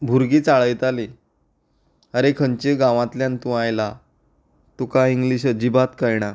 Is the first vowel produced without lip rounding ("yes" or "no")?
no